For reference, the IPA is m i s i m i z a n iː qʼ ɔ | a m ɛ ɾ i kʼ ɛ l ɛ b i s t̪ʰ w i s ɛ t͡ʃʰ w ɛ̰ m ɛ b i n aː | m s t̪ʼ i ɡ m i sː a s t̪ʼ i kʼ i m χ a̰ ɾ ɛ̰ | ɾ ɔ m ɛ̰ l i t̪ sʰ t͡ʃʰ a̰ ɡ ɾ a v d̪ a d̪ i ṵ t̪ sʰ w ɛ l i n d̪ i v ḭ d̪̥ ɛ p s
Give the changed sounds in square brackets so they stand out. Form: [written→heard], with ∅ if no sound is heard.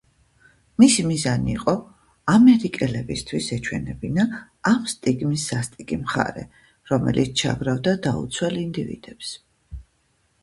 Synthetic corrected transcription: m i s i m i z a n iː qʼ ɔ | a m ɛ ɾ i kʼ ɛ l ɛ b i s t̪ʰ w i s ɛ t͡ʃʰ w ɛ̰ [m→n] ɛ b i n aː | m s t̪ʼ i ɡ m i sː a s t̪ʼ i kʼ i m χ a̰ ɾ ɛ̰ | ɾ ɔ m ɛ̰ l i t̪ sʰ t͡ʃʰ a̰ ɡ ɾ a v d̪ a d̪ [i→a] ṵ t̪ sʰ w ɛ l i n d̪ i v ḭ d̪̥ ɛ p s